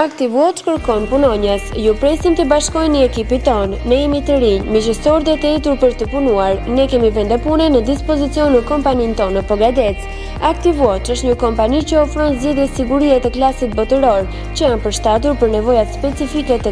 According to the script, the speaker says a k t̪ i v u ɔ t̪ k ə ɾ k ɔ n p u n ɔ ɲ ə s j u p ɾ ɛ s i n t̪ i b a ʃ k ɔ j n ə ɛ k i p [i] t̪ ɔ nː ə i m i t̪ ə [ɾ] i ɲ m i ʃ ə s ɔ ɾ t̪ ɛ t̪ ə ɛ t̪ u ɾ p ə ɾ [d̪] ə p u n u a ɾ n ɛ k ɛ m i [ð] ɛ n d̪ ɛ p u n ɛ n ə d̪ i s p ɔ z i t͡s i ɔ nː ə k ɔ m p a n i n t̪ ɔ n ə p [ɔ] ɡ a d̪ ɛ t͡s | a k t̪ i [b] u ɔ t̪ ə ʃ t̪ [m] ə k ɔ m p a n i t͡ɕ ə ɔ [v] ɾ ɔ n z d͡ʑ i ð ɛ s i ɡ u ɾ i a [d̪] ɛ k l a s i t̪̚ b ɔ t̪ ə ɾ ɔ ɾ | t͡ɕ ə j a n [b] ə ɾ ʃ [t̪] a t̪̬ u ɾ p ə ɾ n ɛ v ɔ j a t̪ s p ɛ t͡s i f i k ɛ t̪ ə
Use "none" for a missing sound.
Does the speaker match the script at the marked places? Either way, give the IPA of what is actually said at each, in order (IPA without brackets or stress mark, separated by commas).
i, ɾ, t̪, v, ɔ, v, ɲ, f, t̪, p, t̪